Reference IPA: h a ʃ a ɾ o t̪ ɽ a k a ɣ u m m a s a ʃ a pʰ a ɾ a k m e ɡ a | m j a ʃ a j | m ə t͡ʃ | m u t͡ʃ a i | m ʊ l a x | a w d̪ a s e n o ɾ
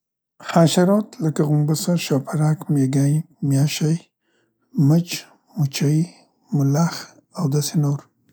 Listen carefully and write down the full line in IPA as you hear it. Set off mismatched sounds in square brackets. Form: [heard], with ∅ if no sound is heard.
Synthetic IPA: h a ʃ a ɾ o t̪ [l] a k a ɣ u m [b] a s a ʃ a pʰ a ɾ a k m e ɡ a | m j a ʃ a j | m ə t͡ʃ | m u t͡ʃ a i | m ʊ l a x | a w d̪ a s e n o ɾ